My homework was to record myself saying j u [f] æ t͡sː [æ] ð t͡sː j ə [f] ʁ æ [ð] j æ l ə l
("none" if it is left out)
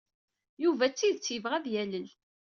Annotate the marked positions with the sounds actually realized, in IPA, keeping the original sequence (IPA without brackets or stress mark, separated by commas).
v, i, v, ð